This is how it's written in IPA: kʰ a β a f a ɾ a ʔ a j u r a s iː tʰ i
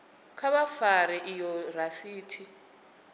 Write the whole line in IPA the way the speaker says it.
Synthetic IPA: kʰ a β a f a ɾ ɛ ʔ i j ɔ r a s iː tʰ i